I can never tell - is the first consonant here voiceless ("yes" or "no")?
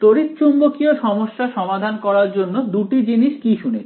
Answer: yes